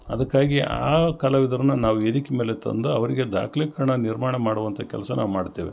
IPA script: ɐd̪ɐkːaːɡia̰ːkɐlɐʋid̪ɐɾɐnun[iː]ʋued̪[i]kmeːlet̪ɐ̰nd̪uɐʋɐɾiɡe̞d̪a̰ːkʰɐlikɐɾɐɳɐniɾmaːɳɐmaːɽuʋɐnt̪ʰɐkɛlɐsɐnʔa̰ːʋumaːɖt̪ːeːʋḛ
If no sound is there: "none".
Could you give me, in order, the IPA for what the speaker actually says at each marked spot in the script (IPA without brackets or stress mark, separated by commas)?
aː, i